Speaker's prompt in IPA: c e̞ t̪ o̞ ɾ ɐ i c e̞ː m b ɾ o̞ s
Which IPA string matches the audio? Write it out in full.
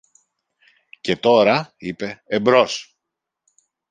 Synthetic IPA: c e̞ t̪ o̞ ɾ ɐ i p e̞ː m b ɾ o̞ s

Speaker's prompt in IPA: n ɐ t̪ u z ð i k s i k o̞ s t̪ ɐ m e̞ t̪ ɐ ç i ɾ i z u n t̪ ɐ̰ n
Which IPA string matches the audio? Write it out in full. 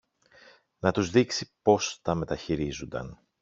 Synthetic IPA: n ɐ t̪ u z ð i k s i p o̞ s t̪ ɐ m e̞ t̪ ɐ ç i ɾ i z u n d̪ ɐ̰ n

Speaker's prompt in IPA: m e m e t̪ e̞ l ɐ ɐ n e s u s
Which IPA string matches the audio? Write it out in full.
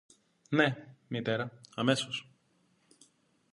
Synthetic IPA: n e m i t̪ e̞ ɾ ɐ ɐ m e s o s

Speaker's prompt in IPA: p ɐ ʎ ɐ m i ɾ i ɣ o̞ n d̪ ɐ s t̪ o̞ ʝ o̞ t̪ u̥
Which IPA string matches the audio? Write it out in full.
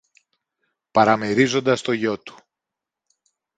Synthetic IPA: p ɐ ɾ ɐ m i ɾ i z o̞ n d̪ ɐ s t̪ o̞ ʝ o̞ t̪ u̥

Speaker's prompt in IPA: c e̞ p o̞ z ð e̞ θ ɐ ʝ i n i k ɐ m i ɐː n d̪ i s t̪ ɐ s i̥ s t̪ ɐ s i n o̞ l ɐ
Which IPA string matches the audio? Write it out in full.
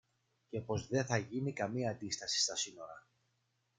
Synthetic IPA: c e̞ p o̞ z ð e̞ θ ɐ ʝ i n i k ɐ m i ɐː n d̪ i s t̪ ɐ s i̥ s t̪ ɐ s i n o̞ ɾ ɐ

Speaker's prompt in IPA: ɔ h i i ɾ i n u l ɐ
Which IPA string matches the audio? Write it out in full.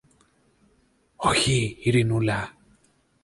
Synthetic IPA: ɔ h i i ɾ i n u l a

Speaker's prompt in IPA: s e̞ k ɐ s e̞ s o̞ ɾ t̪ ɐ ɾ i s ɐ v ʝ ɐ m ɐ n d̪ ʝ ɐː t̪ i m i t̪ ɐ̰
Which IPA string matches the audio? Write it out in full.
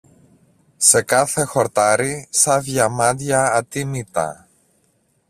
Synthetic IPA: s e̞ k ɐ θ e̞ x o̞ ɾ t̪ ɐ ɾ i s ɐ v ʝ ɐ m ɐ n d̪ ʝ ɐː t̪ i m i t̪ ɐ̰

